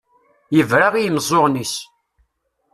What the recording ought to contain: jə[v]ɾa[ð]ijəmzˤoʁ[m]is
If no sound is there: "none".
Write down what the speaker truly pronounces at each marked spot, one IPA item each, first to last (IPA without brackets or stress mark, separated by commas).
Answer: v, ʁ, n